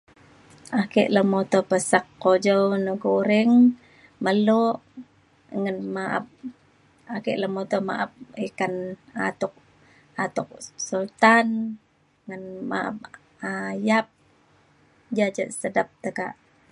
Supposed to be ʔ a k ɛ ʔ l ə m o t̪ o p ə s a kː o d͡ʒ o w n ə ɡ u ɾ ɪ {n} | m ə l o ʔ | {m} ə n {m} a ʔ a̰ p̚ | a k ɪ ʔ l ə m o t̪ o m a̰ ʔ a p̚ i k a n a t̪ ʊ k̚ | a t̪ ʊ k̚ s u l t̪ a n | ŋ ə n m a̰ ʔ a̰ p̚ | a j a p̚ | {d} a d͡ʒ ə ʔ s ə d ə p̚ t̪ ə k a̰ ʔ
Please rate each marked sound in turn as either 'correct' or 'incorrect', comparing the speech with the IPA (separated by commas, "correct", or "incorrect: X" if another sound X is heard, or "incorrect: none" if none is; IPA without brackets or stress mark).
incorrect: ŋ, incorrect: ŋ, correct, incorrect: d͡ʒ